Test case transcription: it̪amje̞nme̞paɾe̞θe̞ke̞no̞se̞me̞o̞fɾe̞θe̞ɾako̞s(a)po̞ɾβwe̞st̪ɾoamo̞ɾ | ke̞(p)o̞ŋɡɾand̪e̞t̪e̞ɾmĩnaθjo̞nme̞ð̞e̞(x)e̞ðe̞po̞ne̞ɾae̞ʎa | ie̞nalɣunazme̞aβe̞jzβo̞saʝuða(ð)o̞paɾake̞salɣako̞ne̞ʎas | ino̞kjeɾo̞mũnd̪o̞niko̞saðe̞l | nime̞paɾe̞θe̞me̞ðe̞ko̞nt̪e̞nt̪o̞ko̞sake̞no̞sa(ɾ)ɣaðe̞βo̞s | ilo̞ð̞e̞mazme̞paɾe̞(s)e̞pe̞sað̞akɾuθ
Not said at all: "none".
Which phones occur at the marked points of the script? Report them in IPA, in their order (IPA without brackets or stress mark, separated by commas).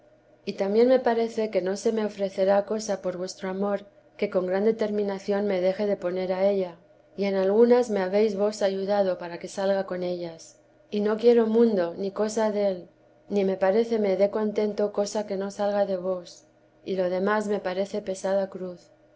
a, k, x, ð, l, θ